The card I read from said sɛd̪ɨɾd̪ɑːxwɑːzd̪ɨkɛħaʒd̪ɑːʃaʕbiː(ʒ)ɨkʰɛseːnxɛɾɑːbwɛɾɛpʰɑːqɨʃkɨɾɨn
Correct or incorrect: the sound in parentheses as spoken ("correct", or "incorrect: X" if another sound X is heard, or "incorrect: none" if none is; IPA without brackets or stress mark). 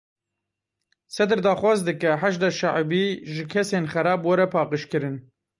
correct